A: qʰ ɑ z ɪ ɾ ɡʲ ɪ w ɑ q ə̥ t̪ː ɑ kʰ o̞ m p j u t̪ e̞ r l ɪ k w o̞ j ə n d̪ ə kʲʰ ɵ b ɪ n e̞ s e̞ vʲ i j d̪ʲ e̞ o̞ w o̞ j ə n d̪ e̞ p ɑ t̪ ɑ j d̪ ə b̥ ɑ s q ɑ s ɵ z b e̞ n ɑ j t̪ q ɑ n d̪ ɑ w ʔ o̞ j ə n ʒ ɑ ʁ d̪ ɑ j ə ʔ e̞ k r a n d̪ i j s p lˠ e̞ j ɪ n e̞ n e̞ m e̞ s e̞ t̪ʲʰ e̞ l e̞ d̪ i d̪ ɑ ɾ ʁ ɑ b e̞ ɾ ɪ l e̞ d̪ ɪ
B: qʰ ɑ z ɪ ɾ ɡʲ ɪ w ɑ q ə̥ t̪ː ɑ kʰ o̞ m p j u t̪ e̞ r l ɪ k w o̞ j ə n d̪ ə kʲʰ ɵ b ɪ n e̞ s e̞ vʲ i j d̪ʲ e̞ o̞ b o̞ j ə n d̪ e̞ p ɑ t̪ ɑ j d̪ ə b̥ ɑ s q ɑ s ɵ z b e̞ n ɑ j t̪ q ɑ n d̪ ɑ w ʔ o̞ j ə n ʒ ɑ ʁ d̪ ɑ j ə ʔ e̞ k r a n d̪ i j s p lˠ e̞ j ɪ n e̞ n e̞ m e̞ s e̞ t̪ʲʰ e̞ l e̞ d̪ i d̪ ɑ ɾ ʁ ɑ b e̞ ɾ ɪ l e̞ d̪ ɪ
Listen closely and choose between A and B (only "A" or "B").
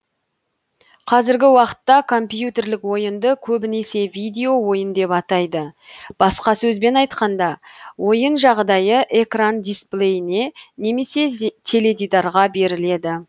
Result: A